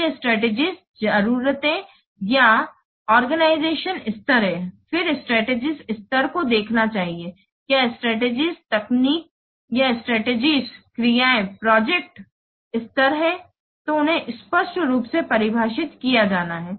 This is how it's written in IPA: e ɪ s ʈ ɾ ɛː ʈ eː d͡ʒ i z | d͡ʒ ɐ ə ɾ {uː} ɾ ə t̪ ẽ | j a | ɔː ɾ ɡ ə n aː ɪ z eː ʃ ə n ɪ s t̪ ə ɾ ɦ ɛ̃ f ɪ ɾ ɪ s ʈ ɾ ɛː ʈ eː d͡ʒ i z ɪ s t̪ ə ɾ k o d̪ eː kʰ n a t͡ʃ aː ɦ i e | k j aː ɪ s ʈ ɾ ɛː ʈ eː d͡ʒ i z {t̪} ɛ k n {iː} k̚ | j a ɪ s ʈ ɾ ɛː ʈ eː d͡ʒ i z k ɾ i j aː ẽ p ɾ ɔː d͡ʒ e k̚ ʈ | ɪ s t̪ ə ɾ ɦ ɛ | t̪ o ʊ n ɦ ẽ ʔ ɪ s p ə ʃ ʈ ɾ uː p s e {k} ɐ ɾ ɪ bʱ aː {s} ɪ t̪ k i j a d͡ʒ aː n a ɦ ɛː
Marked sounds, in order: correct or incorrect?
correct, correct, correct, incorrect: p, incorrect: ʃ

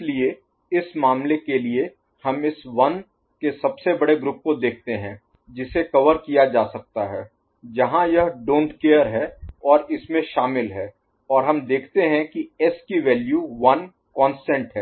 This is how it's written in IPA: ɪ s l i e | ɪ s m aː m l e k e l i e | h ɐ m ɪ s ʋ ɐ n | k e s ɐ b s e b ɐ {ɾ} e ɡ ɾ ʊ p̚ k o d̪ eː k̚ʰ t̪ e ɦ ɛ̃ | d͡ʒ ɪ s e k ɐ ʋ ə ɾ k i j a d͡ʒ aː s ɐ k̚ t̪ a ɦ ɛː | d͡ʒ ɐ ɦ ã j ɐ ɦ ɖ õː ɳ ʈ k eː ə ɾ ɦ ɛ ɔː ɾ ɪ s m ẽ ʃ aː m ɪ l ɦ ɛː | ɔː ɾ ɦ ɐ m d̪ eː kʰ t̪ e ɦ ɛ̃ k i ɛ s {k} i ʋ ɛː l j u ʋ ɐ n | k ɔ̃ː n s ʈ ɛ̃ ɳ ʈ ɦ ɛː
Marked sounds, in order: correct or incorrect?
incorrect: ɽ, correct

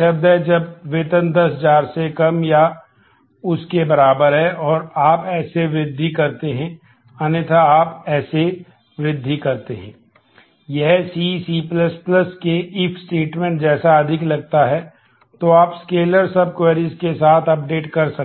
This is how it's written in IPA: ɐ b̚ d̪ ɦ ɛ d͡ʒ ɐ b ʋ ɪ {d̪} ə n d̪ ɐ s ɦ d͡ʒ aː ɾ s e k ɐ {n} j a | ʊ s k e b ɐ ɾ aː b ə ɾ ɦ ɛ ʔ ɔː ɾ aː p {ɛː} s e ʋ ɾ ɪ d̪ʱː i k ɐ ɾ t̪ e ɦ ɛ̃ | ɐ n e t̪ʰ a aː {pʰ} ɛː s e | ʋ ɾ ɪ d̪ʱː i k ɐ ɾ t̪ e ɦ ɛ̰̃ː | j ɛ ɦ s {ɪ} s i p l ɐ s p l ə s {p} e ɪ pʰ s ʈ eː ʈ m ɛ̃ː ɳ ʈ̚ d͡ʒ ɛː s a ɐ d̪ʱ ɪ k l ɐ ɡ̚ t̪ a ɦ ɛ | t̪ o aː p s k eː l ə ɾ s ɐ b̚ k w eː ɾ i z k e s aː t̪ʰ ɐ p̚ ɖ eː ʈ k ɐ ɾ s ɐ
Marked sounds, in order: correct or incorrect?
incorrect: t̪, incorrect: m, correct, incorrect: p, incorrect: i, incorrect: k

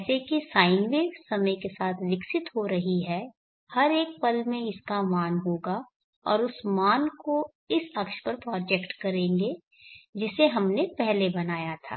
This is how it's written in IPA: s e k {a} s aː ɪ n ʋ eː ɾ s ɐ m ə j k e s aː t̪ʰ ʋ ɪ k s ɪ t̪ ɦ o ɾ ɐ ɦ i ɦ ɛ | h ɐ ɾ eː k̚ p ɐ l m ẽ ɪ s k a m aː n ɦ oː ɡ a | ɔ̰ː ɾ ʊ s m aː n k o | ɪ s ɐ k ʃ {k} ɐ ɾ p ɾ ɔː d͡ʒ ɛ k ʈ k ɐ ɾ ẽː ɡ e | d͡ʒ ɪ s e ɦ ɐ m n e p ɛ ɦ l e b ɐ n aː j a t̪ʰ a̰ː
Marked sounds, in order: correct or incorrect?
incorrect: i, incorrect: p

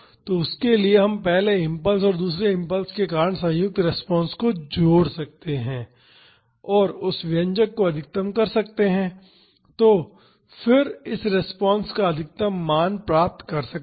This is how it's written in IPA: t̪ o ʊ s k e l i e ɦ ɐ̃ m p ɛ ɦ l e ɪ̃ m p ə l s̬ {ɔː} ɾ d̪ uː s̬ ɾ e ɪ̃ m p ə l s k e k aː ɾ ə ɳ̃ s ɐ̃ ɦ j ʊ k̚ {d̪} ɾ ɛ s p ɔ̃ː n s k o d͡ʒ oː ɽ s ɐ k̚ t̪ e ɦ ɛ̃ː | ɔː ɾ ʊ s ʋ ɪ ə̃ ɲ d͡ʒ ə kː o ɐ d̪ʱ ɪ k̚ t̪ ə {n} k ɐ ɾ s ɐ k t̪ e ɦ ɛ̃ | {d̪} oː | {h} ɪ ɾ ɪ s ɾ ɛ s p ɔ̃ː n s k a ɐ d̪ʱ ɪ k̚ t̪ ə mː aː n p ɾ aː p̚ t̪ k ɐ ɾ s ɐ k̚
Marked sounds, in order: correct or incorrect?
correct, incorrect: t̪, incorrect: m, incorrect: t̪, incorrect: f

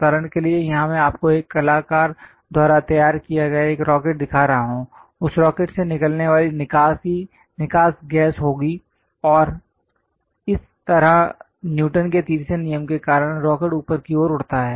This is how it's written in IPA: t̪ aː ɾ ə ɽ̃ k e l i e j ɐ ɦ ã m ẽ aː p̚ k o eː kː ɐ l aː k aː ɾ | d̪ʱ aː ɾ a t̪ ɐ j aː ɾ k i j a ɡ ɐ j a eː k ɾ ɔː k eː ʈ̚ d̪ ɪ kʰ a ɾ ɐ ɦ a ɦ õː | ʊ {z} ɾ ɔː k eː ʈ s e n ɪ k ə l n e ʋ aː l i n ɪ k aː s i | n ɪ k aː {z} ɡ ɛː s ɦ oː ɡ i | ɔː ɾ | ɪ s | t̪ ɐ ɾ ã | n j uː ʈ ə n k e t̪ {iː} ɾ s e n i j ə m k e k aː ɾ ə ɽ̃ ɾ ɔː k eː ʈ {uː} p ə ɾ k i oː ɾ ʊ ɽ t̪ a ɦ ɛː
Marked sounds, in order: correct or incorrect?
incorrect: s, incorrect: s, correct, correct

